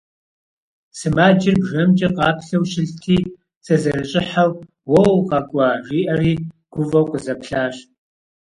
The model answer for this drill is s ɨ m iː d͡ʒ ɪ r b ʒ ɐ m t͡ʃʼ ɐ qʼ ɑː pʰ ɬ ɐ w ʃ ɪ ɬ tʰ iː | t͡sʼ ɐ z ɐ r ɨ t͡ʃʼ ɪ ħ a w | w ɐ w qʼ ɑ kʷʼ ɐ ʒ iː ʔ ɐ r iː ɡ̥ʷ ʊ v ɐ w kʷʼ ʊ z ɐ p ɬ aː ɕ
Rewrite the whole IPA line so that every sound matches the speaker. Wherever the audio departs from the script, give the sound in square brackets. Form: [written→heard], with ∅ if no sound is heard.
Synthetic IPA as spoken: s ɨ m [iː→aː] d͡ʒ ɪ r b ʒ ɐ m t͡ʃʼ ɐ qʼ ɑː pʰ ɬ ɐ w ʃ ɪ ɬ tʰ iː | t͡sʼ ɐ z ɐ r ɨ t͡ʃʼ ɪ ħ a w | w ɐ w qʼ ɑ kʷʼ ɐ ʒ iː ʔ ɐ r iː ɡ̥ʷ ʊ v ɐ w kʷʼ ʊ z ɐ p ɬ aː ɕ